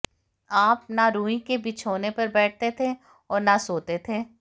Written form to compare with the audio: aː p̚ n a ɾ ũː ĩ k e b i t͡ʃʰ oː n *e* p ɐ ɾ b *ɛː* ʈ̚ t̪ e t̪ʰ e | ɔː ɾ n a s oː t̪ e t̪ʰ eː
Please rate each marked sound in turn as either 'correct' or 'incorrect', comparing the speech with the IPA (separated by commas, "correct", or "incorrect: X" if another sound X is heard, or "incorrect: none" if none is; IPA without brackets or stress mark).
correct, correct